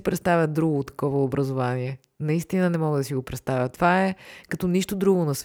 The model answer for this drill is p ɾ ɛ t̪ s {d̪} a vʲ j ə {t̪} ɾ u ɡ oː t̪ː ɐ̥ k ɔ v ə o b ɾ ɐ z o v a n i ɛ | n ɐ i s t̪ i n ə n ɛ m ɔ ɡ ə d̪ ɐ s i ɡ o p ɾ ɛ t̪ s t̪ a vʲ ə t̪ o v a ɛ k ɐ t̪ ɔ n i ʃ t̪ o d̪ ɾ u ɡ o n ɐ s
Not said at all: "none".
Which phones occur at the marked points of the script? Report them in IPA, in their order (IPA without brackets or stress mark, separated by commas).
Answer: t̪, d̪